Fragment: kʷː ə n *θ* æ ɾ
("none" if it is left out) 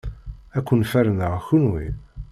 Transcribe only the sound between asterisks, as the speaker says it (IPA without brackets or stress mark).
f